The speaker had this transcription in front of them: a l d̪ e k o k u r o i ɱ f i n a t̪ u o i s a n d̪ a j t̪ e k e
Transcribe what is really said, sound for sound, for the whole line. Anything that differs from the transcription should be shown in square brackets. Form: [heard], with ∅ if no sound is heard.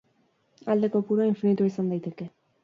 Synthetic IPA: a l d̪ e k o [p] u [ɾ] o i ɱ f i n [i] t̪ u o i s a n d̪ a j t̪ e k e